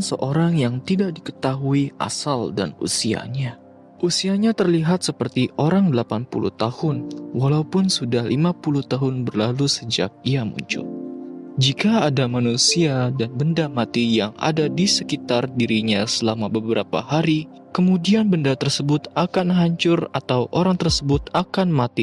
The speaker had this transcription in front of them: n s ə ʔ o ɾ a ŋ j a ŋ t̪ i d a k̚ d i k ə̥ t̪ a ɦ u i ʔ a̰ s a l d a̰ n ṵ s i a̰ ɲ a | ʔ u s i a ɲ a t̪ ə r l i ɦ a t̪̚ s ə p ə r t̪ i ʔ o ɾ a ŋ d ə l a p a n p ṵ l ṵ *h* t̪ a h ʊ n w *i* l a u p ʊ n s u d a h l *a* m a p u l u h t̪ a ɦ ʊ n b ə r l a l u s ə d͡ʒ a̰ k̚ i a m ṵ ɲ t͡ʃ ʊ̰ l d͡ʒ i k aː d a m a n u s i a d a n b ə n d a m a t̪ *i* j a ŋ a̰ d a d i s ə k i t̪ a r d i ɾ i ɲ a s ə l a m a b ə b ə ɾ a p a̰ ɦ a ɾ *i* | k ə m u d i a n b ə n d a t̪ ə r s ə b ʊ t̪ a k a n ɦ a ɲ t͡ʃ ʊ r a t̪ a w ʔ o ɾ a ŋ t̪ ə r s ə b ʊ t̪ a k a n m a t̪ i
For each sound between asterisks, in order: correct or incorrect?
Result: correct, incorrect, incorrect, correct, correct

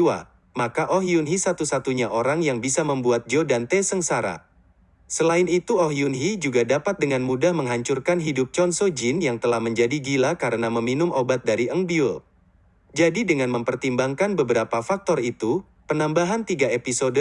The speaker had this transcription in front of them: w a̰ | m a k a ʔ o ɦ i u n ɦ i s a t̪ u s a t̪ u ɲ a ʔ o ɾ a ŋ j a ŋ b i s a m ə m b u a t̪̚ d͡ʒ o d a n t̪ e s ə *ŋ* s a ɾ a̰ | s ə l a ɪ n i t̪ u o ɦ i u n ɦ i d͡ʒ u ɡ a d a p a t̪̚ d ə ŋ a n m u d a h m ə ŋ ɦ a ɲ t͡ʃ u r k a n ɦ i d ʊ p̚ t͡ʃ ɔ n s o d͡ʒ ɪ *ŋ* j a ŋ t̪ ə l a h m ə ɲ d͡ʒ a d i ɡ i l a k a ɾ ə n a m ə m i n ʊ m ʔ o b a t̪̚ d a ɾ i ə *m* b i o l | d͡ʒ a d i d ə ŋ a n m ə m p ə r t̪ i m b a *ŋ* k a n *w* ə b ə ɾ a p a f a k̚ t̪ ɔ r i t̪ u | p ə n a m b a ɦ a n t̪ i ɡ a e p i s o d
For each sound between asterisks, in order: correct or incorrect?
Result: correct, incorrect, incorrect, correct, incorrect

